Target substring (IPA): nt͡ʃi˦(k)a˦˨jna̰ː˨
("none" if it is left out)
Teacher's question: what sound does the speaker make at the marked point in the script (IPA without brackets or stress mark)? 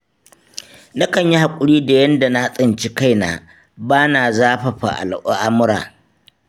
k